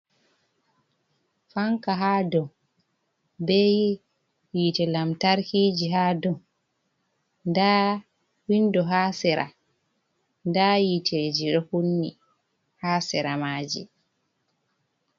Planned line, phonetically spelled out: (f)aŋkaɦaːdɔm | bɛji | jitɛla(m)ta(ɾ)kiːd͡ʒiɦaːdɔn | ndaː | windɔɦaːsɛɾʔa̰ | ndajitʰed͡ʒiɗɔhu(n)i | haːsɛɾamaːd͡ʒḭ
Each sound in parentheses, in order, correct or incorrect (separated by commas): correct, correct, correct, incorrect